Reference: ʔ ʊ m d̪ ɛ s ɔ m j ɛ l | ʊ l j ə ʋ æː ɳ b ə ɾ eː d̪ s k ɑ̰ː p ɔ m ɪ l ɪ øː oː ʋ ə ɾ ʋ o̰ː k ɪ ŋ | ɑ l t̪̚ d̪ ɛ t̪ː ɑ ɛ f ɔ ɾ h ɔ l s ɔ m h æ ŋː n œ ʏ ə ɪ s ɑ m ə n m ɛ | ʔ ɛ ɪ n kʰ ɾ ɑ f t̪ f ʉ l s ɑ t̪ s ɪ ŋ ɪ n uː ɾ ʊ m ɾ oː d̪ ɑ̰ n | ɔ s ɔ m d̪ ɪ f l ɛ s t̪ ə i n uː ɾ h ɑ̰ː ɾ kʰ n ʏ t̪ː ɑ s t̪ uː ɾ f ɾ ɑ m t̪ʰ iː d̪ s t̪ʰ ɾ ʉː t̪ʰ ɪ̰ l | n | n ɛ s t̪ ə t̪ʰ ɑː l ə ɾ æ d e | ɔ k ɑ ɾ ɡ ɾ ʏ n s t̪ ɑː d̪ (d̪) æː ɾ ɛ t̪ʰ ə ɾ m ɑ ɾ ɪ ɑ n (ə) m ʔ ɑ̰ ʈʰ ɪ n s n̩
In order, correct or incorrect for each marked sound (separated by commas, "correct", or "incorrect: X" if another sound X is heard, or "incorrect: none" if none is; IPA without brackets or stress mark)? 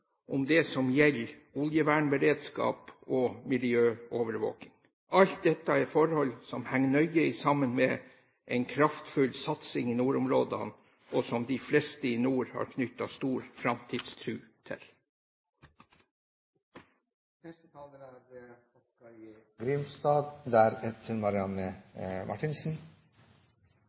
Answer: correct, correct